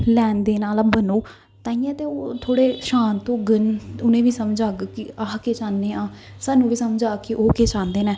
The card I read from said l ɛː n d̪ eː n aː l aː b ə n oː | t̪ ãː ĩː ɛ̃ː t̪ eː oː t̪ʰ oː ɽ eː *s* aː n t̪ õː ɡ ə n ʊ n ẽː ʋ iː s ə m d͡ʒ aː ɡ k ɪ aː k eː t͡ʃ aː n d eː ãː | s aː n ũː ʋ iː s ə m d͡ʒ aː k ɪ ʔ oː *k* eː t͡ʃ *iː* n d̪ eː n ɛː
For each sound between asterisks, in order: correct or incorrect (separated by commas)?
incorrect, correct, incorrect